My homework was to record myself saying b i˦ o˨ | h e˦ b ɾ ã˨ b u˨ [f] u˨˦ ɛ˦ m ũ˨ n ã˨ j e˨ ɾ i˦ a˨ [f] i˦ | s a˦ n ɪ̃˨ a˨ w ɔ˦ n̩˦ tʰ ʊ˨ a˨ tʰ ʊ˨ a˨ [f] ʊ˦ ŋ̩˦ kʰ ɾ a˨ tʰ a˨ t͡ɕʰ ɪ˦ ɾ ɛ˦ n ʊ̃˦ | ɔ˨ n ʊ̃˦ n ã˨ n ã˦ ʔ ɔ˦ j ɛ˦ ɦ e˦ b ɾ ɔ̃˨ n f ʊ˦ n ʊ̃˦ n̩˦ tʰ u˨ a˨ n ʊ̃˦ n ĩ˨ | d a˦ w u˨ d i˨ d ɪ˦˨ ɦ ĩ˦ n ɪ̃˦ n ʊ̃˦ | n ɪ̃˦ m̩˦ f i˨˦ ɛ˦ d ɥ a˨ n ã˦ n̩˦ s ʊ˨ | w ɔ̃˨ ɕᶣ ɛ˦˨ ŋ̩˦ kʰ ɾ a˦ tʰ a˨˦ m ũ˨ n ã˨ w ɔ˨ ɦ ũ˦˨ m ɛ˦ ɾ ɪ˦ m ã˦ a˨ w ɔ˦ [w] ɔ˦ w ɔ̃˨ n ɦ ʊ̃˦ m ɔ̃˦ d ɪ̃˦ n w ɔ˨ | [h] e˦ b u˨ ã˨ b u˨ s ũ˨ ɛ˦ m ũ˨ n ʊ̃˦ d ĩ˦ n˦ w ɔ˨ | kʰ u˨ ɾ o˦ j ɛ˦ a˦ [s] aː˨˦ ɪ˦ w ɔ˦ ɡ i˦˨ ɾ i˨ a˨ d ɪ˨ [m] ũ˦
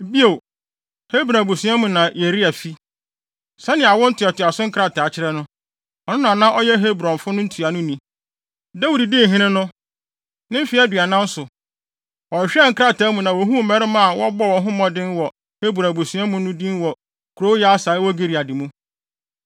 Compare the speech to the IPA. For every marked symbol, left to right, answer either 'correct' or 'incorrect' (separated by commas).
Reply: incorrect, correct, incorrect, incorrect, correct, correct, correct